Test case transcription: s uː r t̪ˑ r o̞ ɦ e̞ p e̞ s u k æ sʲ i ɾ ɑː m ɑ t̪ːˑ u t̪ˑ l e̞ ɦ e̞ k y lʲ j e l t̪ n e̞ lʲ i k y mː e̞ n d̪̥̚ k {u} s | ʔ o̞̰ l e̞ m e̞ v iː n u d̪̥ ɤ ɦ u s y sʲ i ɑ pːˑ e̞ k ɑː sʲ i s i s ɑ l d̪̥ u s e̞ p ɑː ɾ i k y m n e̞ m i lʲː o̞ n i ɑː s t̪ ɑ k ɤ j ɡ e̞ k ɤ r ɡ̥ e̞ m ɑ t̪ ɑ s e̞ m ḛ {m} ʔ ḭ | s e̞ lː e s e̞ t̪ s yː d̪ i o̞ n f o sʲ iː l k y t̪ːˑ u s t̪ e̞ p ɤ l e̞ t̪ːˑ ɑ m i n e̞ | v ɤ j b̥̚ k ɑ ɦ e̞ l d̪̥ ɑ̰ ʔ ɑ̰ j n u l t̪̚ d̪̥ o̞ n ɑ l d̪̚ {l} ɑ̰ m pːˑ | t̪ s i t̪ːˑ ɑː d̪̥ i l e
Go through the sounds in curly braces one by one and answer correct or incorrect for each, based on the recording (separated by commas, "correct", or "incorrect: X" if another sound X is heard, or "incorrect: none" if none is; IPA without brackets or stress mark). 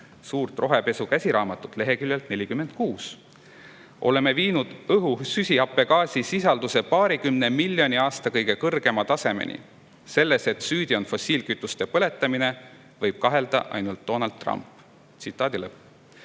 incorrect: uː, incorrect: n, incorrect: r